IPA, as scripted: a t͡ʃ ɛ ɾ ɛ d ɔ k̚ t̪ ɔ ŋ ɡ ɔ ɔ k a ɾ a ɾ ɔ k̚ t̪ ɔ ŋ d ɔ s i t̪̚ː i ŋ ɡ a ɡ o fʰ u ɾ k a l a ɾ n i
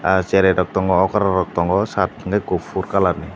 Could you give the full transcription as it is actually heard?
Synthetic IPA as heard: a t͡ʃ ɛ ɾ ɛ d ɔ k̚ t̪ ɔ ŋ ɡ ɔ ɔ k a ɾ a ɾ ɔ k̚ t̪ ɔ ŋ ɡ ɔ s a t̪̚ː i ŋ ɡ a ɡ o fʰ u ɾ k a l a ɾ n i

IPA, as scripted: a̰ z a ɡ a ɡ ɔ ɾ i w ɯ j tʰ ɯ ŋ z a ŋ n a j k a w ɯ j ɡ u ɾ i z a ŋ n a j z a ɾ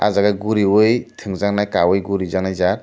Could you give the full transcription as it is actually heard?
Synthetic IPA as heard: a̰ z a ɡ a ɡ u ɾ i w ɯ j tʰ ɯ ŋ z a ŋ n a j k a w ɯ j ɡ u ɾ i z a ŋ n a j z a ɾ

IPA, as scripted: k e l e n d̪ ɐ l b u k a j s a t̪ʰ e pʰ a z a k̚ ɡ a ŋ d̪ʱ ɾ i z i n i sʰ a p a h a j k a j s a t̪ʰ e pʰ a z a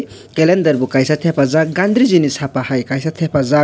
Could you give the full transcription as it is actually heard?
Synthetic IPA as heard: k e l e n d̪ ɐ ɾ b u k a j s a t̪ʰ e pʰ a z a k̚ ɡ a n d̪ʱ ɾ i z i n i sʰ a p a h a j k a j s a t̪ʰ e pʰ a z a

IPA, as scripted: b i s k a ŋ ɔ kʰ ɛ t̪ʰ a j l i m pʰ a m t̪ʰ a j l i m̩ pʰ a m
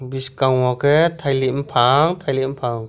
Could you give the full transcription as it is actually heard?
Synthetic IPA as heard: b i s k a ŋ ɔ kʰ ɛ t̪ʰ a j l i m pʰ a ŋ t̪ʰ a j l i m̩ pʰ a ŋ

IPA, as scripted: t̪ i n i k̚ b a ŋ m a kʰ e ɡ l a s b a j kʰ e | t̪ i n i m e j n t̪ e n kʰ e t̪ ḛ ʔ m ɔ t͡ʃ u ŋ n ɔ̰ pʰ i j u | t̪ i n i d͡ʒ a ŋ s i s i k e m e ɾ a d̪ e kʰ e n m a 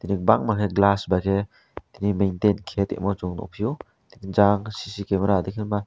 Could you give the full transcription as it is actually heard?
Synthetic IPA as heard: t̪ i n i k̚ b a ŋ m a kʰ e ɡ l a s b a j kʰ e | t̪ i n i m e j n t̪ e n kʰ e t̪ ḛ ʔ m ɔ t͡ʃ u ŋ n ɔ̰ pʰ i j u | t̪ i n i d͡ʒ a ŋ s i s i k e m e ɾ a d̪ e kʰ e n m a

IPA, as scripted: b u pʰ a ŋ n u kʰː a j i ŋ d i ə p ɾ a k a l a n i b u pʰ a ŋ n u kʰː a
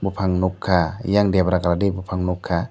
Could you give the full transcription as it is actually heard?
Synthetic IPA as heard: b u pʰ a ŋ n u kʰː a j a ŋ d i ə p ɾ a k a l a d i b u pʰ a ŋ n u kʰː a

